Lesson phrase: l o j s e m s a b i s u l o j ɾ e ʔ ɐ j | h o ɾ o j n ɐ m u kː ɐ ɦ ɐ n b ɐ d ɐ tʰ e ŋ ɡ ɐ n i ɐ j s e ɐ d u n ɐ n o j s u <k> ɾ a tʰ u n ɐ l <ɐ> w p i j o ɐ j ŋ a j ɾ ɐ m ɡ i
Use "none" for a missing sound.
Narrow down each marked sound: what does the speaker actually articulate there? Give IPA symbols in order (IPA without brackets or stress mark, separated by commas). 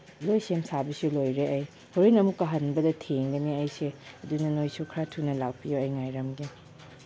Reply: kʰ, a